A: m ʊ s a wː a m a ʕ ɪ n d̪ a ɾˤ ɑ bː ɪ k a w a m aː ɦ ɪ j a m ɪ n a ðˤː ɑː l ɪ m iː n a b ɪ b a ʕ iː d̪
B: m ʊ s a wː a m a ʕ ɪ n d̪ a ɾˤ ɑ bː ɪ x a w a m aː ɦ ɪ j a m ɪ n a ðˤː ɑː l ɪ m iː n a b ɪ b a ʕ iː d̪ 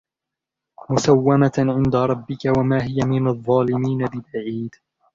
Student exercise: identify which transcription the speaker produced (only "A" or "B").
A